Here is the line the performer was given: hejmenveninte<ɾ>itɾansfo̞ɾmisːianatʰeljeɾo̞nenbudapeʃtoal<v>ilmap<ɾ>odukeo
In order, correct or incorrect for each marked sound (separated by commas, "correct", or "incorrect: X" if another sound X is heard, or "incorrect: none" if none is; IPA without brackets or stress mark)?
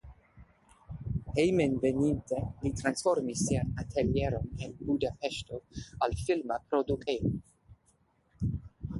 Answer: incorrect: l, incorrect: f, correct